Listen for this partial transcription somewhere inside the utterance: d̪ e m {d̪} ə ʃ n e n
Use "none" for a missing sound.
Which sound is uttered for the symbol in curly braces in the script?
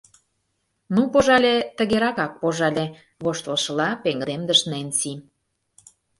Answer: d̪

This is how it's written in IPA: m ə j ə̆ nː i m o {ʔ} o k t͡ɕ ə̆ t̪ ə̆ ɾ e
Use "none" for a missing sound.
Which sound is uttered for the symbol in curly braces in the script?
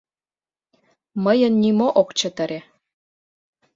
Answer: ʔ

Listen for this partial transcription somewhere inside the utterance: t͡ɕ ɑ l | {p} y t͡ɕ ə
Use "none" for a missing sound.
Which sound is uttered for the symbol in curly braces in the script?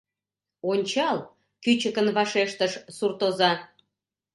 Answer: k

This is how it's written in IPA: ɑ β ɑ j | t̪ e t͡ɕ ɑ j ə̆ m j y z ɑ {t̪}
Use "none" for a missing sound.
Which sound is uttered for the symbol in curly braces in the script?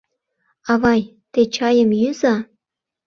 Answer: none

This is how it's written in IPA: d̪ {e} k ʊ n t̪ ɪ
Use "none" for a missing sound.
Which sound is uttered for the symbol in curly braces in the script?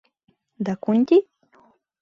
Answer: a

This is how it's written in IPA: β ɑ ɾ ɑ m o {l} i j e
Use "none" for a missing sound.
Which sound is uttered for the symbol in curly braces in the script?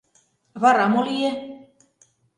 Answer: l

